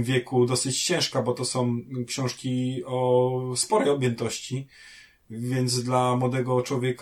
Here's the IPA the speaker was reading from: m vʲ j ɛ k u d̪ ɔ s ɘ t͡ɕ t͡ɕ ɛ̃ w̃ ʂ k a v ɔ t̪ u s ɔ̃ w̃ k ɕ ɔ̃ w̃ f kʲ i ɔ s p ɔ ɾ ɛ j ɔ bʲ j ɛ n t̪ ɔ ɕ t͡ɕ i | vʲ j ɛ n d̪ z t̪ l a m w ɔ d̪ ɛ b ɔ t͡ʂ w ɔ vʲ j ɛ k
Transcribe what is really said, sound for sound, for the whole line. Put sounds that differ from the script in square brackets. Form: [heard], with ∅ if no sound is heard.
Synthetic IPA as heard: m vʲ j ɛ k u d̪ ɔ s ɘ t͡ɕ t͡ɕ ɛ̃ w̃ ʂ k a [b] ɔ t̪ [ɔ] s ɔ̃ w̃ k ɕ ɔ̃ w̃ [ʂ] kʲ i ɔ s p ɔ ɾ ɛ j ɔ bʲ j ɛ n t̪ ɔ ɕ t͡ɕ i | vʲ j ɛ n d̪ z [d̪] l a m w ɔ d̪ ɛ [ɡ] ɔ t͡ʂ w ɔ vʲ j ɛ k